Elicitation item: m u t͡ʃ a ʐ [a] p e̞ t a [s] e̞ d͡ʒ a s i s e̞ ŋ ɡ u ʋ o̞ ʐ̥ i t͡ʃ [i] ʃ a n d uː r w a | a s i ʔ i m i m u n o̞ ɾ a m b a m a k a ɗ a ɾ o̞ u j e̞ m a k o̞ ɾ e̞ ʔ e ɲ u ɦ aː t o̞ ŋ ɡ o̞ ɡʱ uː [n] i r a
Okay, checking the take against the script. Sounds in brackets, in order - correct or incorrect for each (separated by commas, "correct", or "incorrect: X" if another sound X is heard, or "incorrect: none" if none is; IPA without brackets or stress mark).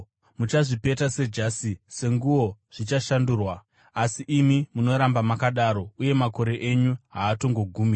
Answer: incorrect: i, correct, incorrect: a, incorrect: m